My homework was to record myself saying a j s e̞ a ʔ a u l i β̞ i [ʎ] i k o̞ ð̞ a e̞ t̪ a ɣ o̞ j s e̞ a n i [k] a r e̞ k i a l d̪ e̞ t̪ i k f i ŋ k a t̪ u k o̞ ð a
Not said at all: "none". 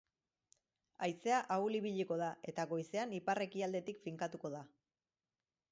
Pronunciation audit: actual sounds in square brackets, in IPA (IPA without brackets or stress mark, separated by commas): ʎ, p